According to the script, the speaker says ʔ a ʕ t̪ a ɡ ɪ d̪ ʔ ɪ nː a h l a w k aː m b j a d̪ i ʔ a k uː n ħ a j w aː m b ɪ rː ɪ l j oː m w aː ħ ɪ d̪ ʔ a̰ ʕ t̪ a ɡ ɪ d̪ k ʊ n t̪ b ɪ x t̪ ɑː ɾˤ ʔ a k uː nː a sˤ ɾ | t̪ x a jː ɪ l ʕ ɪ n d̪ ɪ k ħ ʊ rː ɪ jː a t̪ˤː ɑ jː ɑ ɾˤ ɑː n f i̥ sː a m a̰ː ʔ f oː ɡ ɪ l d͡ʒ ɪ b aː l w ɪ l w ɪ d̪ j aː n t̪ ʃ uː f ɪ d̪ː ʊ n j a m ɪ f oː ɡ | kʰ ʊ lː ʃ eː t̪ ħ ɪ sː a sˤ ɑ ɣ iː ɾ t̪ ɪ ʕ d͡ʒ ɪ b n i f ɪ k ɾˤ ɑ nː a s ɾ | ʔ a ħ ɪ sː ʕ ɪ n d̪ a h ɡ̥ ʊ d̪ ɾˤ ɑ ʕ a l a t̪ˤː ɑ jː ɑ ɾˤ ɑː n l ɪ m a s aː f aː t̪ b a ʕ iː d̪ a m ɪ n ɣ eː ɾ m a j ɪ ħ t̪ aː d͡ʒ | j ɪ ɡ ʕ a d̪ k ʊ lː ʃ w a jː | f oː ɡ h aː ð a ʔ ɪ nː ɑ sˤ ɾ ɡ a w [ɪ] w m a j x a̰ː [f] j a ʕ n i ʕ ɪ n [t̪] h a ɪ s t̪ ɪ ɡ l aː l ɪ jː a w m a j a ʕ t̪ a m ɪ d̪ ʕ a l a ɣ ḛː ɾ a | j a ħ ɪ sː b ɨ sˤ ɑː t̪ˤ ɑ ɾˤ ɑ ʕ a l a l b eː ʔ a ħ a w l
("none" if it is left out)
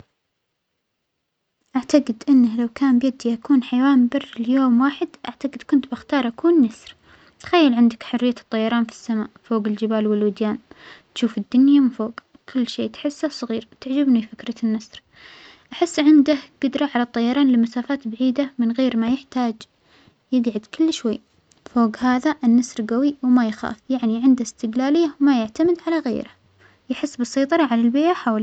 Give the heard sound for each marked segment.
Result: i, f, d̪

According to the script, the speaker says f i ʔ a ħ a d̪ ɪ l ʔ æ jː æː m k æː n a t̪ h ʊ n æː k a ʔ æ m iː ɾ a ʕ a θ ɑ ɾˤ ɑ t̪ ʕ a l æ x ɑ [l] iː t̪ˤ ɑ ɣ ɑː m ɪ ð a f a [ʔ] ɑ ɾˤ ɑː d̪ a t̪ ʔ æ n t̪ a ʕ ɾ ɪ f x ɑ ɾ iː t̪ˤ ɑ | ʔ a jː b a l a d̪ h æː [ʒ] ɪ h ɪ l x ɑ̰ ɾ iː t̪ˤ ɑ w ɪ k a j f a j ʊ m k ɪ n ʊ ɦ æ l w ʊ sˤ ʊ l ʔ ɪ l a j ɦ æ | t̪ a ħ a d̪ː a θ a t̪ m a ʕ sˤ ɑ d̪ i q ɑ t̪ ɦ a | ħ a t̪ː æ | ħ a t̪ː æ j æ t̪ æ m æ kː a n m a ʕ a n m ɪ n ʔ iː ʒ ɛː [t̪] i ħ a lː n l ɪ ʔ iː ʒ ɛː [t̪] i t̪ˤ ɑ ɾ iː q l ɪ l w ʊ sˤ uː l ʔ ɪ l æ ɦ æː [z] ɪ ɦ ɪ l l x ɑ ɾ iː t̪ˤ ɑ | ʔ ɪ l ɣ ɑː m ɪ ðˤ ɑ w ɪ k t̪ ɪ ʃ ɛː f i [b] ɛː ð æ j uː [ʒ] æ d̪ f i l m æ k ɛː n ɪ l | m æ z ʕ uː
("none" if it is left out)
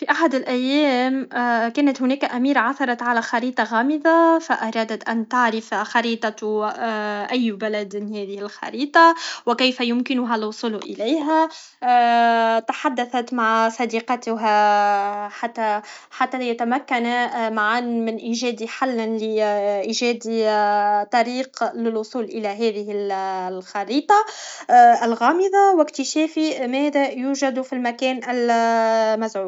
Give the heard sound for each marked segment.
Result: ɾ, ʔ, ð, d̪, d̪, ð, m, ʒ

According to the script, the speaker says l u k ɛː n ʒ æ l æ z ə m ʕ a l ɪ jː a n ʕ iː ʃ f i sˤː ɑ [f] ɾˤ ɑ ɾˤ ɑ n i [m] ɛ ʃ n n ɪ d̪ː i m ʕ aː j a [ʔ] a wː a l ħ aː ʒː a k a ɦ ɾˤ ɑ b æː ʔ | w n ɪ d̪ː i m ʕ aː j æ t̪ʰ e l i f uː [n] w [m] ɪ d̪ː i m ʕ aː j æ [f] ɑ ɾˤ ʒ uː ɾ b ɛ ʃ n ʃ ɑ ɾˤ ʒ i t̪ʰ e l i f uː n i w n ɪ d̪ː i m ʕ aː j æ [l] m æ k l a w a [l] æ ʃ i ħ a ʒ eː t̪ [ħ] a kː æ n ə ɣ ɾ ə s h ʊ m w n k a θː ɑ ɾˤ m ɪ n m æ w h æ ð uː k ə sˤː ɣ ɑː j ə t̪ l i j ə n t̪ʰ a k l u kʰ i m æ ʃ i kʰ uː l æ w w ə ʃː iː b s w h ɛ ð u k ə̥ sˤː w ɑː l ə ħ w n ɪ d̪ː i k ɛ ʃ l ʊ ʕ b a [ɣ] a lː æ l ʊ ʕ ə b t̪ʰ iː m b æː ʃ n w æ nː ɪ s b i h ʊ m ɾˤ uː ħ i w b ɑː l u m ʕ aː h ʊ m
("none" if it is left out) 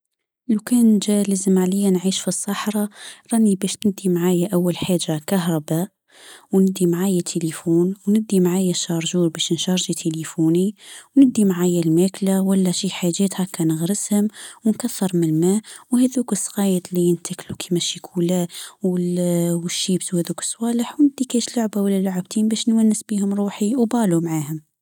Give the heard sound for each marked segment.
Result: ħ, b, ʔ, n, n, ʃ, l, lː, h, w

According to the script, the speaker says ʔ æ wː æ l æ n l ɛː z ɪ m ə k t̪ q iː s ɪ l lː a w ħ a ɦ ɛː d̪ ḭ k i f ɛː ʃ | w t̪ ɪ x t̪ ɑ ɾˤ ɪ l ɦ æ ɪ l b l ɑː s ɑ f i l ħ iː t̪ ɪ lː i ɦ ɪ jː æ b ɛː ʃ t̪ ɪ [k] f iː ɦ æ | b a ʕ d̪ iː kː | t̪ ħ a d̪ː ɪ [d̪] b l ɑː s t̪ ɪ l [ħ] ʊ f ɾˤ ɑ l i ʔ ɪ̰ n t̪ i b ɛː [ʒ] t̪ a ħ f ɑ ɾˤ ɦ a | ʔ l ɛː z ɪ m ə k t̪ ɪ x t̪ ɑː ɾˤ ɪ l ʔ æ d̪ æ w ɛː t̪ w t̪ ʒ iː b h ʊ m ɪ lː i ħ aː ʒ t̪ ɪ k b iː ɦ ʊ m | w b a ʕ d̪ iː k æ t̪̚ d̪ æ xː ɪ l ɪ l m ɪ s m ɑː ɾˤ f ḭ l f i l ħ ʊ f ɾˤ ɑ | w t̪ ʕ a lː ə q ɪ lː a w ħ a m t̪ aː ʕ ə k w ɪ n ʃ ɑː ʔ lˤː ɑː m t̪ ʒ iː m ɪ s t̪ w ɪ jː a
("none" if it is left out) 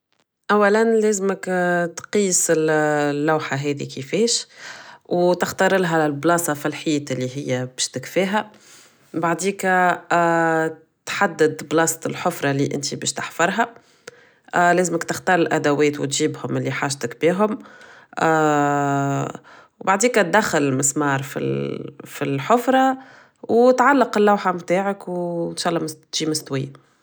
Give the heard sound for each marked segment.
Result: k, d̪, ħ, ʃ

